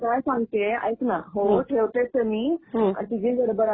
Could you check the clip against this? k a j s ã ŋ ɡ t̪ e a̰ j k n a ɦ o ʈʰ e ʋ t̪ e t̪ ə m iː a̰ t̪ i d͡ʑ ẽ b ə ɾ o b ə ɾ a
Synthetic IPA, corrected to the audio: k a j s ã ŋ ɡ t̪ e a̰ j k n a ɦ o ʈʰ e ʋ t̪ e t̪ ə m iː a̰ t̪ i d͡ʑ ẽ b ə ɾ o b ə ɾ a